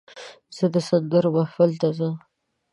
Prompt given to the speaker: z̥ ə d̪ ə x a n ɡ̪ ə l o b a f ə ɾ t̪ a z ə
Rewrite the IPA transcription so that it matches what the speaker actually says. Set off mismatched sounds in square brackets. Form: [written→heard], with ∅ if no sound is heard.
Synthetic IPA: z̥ ə d̪ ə [x→s] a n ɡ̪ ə [l→ɾ] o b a f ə [ɾ→l] t̪ a z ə